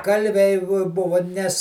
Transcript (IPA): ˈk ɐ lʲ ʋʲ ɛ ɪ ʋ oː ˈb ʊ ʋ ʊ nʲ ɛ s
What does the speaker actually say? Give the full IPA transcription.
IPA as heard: ˈk ɐ lʲ ʋʲ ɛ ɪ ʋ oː ˈb ʊ ʋ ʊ nʲ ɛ s